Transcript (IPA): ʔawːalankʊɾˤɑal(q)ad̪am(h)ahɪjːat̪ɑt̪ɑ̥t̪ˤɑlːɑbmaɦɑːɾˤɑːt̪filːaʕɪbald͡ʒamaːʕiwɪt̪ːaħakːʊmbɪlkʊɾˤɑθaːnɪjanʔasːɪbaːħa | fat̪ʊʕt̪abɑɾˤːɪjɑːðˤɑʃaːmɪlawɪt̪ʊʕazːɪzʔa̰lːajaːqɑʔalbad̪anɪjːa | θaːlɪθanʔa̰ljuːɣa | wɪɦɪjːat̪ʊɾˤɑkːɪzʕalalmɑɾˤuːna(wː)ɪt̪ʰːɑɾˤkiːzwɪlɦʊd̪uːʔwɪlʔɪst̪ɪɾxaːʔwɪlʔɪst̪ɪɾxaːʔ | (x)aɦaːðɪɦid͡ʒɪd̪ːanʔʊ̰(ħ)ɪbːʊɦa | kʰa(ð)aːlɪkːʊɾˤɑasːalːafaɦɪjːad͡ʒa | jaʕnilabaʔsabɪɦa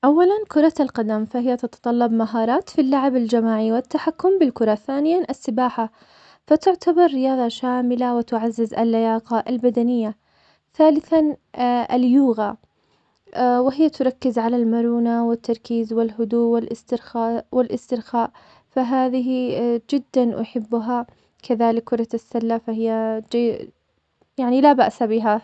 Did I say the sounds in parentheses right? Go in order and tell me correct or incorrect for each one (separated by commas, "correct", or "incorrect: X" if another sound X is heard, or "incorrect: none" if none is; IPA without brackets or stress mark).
correct, incorrect: f, incorrect: w, incorrect: f, correct, correct